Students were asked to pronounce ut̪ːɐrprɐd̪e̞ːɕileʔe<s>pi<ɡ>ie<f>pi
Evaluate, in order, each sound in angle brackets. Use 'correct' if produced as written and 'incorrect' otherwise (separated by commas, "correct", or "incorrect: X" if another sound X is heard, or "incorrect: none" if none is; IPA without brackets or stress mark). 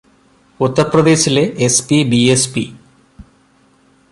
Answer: correct, incorrect: b, incorrect: s